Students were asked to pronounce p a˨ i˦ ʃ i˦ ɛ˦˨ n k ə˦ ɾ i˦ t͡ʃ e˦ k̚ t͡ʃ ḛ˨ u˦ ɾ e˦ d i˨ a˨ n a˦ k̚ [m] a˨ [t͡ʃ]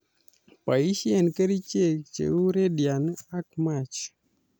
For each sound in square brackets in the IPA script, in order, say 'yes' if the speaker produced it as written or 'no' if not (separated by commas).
yes, yes